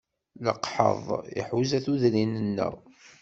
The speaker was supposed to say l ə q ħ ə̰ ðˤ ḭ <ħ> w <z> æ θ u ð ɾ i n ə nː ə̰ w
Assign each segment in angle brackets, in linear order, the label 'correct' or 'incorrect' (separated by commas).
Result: correct, correct